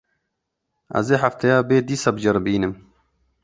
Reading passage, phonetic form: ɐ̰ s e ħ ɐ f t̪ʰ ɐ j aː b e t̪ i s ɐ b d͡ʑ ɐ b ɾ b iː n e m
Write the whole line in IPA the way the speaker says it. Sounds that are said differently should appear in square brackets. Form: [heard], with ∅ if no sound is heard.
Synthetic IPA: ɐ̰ [z] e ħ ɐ f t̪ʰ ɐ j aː b e [d̪] i s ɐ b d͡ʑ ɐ [∅] ɾ b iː n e m